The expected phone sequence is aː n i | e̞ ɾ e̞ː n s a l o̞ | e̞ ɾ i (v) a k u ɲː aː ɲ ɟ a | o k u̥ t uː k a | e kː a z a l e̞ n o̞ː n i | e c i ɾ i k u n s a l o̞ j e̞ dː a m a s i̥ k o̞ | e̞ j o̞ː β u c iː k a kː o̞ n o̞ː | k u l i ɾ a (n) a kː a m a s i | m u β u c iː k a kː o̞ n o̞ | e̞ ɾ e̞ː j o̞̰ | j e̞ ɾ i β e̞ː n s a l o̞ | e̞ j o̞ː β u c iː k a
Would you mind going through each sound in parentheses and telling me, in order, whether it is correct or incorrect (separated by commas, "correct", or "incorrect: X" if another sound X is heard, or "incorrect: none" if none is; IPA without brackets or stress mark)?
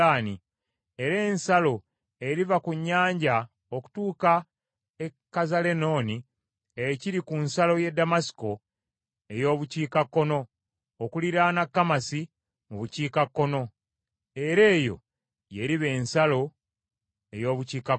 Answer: correct, correct